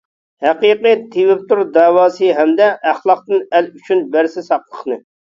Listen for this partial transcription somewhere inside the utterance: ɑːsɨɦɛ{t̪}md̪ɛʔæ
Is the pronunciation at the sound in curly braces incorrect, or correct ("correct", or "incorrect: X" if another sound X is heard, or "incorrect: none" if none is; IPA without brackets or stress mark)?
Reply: incorrect: none